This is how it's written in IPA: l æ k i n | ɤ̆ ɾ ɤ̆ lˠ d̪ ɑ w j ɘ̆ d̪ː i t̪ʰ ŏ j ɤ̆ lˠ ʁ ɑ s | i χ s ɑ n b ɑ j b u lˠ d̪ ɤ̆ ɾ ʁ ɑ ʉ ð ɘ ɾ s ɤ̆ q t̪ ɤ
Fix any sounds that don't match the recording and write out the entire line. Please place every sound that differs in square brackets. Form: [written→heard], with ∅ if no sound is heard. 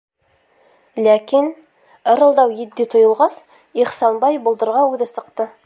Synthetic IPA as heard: l æ k i n | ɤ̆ ɾ ɤ̆ lˠ d̪ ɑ w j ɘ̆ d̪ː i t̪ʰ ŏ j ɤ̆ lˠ ʁ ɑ s | i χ s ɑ n b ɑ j b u lˠ d̪ ɤ̆ ɾ ʁ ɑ ʉ ð ɘ [ɾ→∅] s ɤ̆ q t̪ ɤ